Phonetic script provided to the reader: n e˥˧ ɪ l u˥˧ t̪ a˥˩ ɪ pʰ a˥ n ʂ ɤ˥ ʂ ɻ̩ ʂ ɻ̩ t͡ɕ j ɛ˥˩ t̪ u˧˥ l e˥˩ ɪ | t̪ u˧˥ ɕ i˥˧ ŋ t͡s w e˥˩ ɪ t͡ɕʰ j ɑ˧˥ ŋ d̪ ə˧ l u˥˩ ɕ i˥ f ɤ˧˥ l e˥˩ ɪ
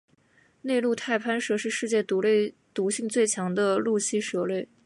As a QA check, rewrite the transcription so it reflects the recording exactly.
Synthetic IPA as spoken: n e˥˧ ɪ l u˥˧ t̪ʰ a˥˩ ɪ pʰ a˥ n ʂ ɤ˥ ʂ ɻ̩ ʂ ɻ̩ t͡ɕ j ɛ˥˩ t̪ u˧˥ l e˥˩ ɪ | t̪ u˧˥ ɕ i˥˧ ŋ t͡s w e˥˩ ɪ t͡ɕʰ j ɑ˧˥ ŋ d̪ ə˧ l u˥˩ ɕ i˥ ʂ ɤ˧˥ l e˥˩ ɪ